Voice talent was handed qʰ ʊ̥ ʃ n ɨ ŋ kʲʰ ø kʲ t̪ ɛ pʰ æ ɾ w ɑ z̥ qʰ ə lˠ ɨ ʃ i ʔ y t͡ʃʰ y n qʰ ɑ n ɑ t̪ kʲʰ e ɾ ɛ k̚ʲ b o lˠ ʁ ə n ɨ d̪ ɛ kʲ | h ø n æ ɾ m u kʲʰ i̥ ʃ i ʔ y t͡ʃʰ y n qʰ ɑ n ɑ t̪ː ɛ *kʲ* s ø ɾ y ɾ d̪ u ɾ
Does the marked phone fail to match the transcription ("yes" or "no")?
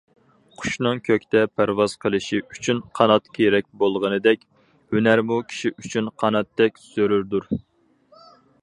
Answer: no